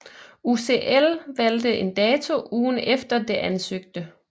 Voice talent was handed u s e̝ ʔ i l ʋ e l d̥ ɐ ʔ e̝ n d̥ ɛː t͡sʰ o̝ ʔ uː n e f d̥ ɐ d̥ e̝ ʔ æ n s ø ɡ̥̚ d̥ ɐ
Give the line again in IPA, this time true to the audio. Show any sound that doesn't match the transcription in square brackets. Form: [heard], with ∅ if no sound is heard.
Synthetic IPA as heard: u s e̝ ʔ [e] l ʋ [æ] l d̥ [ə] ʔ e̝ n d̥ ɛː t͡sʰ o̝ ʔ uː n e f d̥ ɐ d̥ e̝ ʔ æ n s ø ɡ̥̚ d̥ [ə]